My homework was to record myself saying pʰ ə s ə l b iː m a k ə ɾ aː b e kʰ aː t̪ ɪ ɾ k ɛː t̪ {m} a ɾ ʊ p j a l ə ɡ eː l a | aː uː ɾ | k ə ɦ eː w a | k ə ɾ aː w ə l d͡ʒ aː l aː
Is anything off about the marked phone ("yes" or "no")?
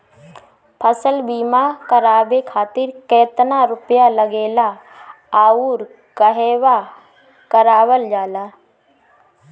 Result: yes